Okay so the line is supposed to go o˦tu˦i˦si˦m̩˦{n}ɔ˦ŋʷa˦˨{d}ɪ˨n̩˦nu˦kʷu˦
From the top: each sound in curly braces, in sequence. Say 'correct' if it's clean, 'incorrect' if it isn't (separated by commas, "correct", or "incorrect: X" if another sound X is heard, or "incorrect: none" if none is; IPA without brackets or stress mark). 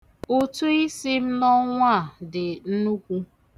correct, correct